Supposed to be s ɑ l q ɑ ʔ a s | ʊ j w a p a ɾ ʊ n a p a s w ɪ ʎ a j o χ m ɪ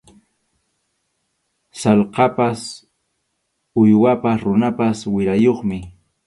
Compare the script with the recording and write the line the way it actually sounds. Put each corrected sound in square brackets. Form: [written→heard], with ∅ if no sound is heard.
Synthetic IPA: s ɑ l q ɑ [ʔ→p] a s | ʊ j w a p a ɾ ʊ n a p a s w ɪ [ʎ→ɾ] a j o χ m ɪ